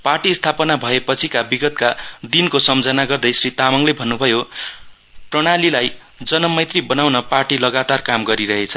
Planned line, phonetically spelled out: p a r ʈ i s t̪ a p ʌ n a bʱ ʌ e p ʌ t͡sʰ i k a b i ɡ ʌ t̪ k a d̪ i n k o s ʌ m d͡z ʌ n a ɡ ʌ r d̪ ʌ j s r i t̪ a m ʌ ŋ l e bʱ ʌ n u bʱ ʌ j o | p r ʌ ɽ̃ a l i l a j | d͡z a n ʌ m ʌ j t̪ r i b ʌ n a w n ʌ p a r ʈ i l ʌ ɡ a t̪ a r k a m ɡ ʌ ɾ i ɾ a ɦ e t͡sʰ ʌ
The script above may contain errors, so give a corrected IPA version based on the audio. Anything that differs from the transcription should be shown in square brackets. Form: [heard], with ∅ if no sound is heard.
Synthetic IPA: p a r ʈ i s [t̪ʰ] a p ʌ n a bʱ ʌ e p ʌ t͡sʰ i k a b i ɡ ʌ t̪ k a d̪ i n k o s ʌ m d͡z ʌ n a ɡ ʌ r d̪ ʌ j s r i t̪ a m ʌ ŋ l e bʱ ʌ [nː] u bʱ ʌ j o | p r ʌ ɽ̃ a l i l a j | d͡z [ʌ] n ʌ m ʌ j t̪ r i b ʌ n a w n ʌ p a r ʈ i l ʌ ɡ a t̪ a r k a m ɡ ʌ ɾ i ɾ [ʌ] ɦ e t͡sʰ ʌ